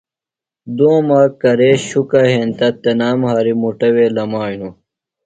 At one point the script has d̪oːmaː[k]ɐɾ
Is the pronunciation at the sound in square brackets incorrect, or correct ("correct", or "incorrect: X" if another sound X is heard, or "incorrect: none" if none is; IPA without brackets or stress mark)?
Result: correct